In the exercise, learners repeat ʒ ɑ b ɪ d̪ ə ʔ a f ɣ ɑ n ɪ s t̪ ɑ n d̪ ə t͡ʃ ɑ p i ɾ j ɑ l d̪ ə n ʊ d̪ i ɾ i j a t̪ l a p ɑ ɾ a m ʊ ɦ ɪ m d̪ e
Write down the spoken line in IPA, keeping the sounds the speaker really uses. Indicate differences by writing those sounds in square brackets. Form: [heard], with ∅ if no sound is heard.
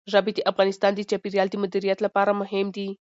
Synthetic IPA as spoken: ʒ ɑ b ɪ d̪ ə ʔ a f ɣ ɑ n ɪ s t̪ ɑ n d̪ ə t͡ʃ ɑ p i ɾ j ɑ l d̪ ə [m] ʊ d̪ i ɾ i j a t̪ l a p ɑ ɾ a m ʊ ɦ ɪ m d̪ [i]